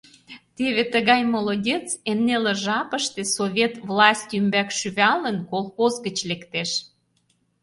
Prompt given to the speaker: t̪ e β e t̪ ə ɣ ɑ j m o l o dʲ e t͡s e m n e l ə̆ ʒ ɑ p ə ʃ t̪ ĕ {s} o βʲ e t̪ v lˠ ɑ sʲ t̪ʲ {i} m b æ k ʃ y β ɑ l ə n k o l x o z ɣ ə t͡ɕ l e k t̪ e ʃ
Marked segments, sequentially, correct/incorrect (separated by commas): correct, incorrect